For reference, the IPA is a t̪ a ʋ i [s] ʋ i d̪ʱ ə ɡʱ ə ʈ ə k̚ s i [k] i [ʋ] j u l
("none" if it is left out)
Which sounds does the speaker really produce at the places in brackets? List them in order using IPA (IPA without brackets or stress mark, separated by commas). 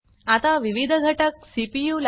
none, p, none